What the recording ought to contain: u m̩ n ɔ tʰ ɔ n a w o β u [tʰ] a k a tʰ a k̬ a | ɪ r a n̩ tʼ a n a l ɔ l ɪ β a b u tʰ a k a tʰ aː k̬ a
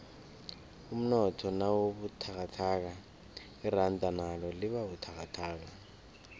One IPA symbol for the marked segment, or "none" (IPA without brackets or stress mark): tʰ